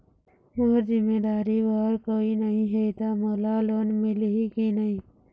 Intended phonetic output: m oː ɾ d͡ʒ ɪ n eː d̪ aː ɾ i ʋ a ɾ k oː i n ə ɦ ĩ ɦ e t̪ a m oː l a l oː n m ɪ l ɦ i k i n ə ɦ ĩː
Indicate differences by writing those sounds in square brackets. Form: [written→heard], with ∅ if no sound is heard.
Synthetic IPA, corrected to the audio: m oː ɾ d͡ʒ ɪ [n→m] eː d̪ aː ɾ i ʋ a ɾ k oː i n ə ɦ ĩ ɦ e t̪ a m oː l a l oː n m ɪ l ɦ i k i n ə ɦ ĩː